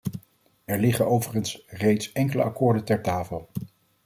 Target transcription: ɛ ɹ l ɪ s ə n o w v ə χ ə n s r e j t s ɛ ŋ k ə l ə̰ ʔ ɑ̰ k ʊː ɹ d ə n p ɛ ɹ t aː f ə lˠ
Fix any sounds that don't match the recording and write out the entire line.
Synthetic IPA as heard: ɛ ɹ l ɪ χ ə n o w v ə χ ə n s r e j t s ɛ ŋ k ə l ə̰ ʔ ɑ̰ k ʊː ɹ d ə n t ɛ ɹ t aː f ə lˠ